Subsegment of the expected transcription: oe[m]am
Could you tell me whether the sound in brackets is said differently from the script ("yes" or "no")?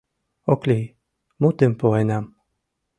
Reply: yes